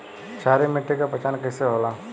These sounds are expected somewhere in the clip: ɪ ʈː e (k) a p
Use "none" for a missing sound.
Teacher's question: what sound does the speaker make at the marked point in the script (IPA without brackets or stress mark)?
k